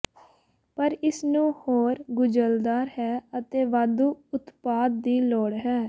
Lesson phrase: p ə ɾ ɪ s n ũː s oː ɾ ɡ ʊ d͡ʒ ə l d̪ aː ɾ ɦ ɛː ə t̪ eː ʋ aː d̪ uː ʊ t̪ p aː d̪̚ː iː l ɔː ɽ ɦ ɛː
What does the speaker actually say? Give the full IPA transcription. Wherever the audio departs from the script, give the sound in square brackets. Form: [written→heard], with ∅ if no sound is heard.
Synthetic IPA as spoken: p ə ɾ ɪ s n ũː [s→h] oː ɾ ɡ ʊ d͡ʒ ə l d̪ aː ɾ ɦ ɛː ə t̪ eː ʋ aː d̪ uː ʊ t̪ p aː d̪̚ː iː l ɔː ɽ ɦ ɛː